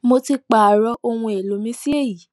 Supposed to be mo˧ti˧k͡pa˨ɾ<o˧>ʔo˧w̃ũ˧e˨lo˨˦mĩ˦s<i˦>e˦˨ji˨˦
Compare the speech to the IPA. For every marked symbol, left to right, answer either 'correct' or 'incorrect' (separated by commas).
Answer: incorrect, correct